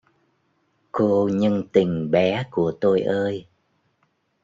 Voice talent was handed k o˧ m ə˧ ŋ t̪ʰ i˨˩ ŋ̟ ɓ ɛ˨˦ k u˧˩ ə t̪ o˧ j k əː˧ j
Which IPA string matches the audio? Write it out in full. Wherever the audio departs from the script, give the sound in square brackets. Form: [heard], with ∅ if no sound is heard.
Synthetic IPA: k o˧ [ɲ] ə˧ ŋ [t̪] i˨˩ ŋ̟ ɓ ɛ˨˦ k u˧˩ ə t̪ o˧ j [ʔ] əː˧ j